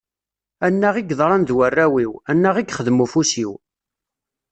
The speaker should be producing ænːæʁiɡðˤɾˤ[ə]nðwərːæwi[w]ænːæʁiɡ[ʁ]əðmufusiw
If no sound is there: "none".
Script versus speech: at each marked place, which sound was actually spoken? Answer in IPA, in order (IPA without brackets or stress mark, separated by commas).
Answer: ɑ, w, χ